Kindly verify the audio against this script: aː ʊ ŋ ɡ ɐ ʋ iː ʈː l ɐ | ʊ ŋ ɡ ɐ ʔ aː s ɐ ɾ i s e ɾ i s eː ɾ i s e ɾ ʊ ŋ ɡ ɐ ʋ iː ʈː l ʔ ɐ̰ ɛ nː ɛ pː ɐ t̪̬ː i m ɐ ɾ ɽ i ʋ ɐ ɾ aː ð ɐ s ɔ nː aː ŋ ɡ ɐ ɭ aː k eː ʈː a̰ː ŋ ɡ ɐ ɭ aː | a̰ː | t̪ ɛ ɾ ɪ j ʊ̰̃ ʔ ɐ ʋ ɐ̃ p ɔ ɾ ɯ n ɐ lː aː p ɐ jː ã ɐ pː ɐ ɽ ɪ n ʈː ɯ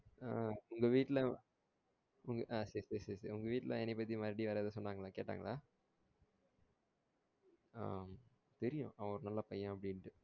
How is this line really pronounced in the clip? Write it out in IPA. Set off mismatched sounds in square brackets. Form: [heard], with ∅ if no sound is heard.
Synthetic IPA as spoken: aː ʊ ŋ ɡ ɐ ʋ iː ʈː l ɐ | ʊ ŋ ɡ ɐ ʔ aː s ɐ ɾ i s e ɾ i s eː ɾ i s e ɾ ʊ ŋ ɡ ɐ ʋ iː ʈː l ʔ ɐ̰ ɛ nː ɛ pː ɐ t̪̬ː i m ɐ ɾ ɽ i ʋ ɐ ɾ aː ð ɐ s ɔ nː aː ŋ ɡ ɐ ɭ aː k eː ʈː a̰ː ŋ ɡ ɐ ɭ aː | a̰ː | t̪ ɛ ɾ ɪ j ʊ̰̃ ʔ ɐ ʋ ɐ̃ [∅] ɔ ɾ ɯ n ɐ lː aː p ɐ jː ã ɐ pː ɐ ɽ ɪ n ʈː ɯ